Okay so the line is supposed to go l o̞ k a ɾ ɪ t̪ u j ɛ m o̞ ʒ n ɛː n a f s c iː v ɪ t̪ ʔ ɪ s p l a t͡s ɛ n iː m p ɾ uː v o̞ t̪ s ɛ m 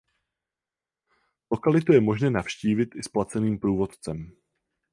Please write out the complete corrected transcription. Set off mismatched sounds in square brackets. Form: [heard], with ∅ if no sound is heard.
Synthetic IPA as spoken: l o̞ k a [l] ɪ t̪ u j ɛ m o̞ ʒ n ɛː n a f [ʃ] c iː v ɪ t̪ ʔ ɪ s p l a t͡s ɛ n iː m p ɾ uː v o̞ t̪ [t͡s] ɛ m